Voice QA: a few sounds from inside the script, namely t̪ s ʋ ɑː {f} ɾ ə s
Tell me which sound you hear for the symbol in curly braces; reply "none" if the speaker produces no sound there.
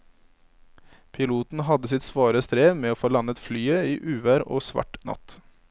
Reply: none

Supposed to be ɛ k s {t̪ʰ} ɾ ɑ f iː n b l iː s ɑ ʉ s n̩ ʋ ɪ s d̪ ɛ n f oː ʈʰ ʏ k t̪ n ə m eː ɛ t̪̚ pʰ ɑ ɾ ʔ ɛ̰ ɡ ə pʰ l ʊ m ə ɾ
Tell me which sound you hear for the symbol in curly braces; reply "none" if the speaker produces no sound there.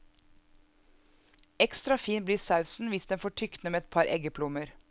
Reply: t̪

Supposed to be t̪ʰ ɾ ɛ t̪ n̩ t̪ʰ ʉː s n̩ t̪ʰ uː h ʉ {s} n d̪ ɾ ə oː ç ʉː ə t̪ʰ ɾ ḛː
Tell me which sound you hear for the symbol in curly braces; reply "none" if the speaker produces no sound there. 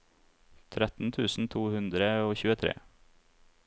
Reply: none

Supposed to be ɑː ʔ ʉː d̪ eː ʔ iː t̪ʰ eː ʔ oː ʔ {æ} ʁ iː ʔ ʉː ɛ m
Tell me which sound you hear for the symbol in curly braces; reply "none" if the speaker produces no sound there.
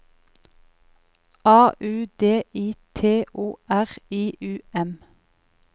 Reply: æ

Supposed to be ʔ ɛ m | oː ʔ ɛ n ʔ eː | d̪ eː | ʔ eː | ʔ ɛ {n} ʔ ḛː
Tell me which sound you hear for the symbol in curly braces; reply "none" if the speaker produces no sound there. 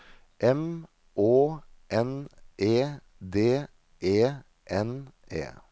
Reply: n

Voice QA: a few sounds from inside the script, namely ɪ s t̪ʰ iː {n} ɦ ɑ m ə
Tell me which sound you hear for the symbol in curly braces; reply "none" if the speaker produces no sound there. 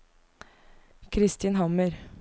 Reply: n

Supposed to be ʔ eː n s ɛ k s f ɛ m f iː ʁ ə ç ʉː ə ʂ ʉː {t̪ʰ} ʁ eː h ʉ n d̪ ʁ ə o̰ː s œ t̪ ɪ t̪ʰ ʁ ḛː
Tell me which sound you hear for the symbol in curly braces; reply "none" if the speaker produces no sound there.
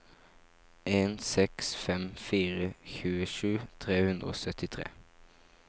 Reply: t̪ʰ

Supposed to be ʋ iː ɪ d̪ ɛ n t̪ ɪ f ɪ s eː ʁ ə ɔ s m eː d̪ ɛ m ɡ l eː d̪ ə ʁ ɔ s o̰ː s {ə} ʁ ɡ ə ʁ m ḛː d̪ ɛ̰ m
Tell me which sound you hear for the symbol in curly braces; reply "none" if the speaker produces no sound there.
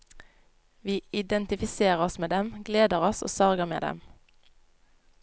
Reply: ɑ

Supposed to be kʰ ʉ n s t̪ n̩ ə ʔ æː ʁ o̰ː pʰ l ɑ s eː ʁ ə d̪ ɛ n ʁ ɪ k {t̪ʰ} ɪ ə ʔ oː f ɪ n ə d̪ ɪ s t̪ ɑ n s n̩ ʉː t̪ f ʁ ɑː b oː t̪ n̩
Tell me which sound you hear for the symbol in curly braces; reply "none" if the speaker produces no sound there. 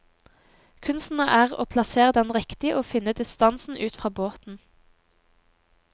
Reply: t̪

